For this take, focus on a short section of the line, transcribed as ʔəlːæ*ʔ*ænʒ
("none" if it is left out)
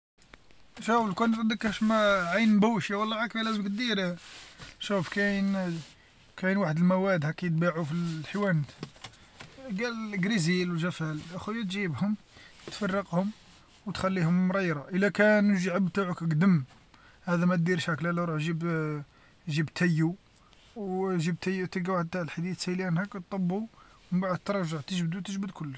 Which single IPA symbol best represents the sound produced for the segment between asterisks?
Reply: k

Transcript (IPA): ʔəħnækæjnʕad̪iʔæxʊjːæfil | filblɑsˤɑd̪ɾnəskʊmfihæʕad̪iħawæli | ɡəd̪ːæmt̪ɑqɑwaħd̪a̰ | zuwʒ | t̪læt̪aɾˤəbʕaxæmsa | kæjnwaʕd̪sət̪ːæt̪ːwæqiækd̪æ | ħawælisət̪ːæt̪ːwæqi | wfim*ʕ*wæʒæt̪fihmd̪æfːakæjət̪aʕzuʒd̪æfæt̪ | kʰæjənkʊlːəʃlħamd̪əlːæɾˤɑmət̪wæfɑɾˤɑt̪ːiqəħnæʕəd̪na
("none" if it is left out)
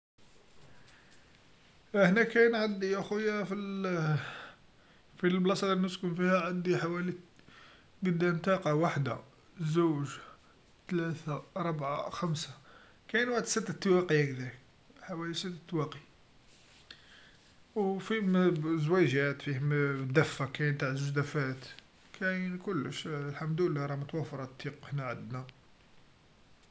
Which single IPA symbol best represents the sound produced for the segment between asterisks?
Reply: z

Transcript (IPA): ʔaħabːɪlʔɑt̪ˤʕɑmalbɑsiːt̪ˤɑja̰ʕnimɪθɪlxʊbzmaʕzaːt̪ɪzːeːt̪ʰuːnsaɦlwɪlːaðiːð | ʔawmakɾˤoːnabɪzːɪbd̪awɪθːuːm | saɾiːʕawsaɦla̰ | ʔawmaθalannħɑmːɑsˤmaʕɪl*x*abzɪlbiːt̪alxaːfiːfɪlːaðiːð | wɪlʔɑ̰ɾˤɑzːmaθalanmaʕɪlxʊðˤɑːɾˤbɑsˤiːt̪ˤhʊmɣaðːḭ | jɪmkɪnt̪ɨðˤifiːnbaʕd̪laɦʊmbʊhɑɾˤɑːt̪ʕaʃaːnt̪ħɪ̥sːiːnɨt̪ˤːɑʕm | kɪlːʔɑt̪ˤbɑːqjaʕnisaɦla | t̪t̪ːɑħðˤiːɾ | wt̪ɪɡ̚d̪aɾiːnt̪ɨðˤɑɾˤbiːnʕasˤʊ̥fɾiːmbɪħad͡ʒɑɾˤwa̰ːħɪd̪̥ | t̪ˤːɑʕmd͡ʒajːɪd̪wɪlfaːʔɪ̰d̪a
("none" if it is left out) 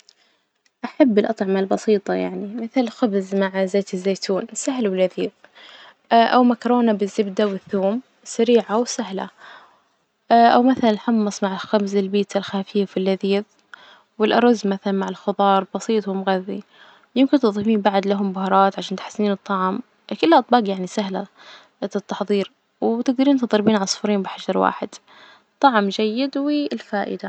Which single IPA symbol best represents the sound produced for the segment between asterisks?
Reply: x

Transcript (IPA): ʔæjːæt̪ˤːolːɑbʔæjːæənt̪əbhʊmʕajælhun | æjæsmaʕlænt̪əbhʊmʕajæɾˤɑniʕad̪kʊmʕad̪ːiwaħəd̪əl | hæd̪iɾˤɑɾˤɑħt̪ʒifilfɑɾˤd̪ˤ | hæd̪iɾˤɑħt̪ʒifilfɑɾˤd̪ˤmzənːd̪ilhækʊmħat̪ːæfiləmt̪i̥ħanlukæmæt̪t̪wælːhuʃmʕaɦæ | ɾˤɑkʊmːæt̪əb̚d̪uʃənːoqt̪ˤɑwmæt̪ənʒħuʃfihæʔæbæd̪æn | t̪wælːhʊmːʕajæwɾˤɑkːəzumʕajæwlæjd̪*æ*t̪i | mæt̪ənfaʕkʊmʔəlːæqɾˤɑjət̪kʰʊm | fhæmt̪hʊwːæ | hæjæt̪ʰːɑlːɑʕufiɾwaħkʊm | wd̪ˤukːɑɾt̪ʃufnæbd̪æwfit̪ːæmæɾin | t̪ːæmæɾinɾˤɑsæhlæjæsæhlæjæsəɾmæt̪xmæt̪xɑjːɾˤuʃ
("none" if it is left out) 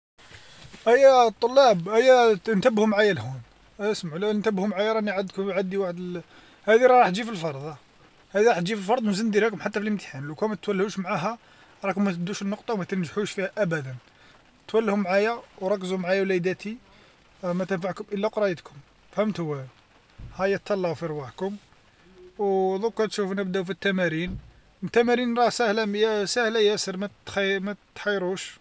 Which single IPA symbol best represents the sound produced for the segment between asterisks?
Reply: æ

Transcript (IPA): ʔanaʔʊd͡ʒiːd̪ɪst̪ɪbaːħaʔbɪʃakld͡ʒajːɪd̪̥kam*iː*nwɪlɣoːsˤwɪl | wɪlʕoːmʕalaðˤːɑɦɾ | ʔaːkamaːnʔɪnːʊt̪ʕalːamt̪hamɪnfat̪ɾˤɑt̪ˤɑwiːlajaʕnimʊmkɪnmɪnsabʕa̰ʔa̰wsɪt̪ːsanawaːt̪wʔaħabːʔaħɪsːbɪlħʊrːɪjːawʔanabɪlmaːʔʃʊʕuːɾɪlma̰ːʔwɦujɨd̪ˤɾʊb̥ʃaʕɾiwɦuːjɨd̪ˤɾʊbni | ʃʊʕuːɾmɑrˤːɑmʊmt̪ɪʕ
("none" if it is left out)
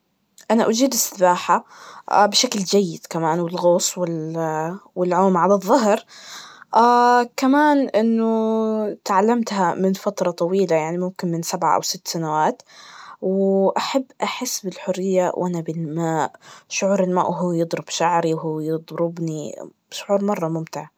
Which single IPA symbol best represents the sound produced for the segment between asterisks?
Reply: aː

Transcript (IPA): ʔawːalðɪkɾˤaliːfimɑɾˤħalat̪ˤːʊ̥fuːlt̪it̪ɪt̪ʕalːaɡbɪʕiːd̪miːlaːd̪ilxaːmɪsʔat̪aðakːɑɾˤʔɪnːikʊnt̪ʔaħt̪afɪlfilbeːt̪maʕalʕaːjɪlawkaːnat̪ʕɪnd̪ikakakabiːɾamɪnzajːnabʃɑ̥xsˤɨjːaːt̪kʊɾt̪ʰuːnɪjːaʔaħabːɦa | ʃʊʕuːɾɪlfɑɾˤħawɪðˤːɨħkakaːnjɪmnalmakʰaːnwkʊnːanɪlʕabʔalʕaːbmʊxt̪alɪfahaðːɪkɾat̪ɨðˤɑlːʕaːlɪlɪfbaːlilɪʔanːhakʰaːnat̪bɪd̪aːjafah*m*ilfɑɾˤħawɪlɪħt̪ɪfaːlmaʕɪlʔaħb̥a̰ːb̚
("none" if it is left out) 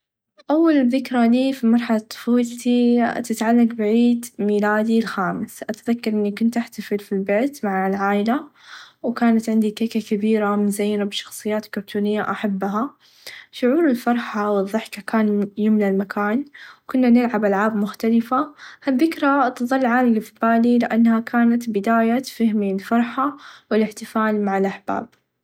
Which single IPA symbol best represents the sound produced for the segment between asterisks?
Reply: m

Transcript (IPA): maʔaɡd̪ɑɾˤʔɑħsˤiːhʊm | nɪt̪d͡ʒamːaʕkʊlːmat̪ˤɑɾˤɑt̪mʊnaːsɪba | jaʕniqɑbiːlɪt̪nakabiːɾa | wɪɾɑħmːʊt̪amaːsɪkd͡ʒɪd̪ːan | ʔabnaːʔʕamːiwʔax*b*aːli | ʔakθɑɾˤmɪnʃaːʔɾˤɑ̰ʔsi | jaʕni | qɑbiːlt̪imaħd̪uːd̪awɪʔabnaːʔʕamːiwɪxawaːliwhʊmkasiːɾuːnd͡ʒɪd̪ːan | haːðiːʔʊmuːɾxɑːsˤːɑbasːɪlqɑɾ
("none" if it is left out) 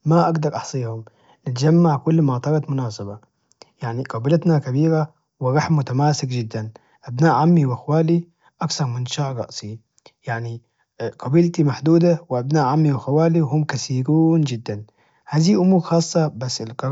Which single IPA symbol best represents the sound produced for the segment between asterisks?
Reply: w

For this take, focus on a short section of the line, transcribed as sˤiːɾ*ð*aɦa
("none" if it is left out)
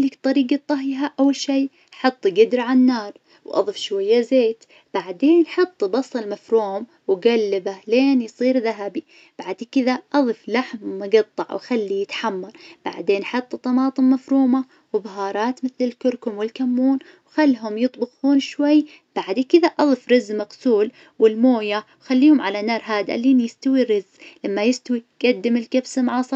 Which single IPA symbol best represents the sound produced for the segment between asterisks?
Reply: ð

